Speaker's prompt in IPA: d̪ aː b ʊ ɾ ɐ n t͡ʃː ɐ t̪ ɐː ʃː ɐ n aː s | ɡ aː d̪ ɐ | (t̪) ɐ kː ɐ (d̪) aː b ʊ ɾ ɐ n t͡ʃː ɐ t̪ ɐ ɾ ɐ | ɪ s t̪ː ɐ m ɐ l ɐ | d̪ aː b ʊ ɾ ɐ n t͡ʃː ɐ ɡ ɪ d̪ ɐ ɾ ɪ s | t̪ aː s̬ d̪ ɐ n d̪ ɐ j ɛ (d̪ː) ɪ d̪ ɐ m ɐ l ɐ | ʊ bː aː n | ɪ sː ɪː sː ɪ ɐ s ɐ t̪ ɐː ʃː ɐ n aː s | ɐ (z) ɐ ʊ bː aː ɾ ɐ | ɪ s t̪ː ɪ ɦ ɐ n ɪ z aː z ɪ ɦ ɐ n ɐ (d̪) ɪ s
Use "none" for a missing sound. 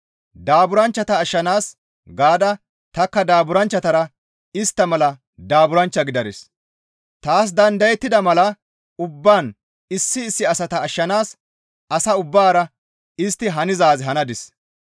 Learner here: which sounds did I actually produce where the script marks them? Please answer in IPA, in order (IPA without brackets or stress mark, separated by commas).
t̪, d̪, t̪ː, s, d̪